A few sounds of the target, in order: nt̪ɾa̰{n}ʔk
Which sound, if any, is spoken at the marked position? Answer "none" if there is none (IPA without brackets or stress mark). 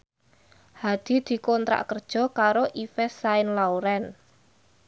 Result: none